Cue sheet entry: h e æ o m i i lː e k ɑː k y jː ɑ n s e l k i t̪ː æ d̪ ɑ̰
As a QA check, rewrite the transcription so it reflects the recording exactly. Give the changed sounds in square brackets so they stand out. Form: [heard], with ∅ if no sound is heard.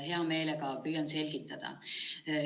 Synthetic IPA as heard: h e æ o m [e] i [l] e k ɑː [p] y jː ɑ n s e l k i t̪ː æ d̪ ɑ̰